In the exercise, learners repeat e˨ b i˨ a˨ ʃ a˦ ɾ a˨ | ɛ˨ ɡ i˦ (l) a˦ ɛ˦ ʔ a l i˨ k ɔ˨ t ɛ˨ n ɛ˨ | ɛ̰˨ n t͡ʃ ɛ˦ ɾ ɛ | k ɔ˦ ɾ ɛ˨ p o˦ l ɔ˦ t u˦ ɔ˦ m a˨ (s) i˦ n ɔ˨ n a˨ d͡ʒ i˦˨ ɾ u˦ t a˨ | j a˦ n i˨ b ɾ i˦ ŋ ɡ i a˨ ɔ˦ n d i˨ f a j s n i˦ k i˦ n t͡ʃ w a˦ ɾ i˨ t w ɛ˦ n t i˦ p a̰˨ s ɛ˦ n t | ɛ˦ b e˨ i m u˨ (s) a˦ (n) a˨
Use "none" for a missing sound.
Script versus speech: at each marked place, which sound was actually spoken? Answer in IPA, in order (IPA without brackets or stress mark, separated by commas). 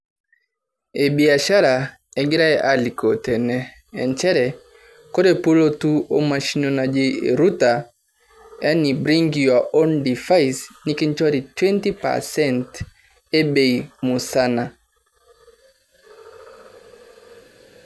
ɾ, ʃ, s, n